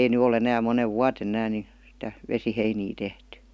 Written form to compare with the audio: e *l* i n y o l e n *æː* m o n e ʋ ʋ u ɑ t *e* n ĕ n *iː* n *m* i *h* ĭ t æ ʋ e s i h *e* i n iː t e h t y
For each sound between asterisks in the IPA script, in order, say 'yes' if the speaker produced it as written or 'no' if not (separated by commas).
no, yes, yes, no, no, no, yes